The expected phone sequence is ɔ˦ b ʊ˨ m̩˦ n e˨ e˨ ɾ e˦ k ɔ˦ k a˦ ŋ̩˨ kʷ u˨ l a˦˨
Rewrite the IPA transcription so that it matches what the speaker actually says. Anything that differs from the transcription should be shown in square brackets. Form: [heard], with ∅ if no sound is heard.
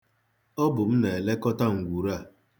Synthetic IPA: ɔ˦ b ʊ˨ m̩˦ n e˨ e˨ [l] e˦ k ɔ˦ [t] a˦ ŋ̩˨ [ɡʷ] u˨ [ɾ] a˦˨